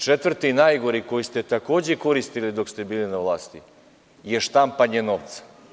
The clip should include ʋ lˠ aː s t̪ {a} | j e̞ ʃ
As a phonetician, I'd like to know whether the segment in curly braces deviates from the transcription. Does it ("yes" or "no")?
yes